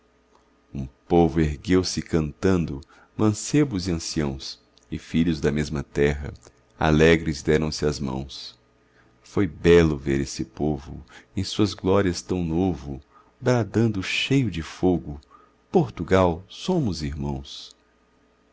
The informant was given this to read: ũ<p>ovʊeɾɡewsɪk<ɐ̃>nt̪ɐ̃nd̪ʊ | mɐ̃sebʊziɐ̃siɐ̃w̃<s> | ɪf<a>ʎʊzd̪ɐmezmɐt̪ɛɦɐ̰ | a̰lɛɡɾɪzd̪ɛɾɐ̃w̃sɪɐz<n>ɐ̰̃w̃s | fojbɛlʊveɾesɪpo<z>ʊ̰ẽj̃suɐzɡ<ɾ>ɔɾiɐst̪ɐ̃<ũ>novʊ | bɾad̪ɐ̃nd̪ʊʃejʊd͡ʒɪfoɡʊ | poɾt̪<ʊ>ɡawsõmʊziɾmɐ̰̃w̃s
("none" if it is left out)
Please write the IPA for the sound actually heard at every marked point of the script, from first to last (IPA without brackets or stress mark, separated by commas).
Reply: p, ɐ̃, s, i, m, v, l, w̃, u